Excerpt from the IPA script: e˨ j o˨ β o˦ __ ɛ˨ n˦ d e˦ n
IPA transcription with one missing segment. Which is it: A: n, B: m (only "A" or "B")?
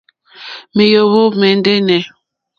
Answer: B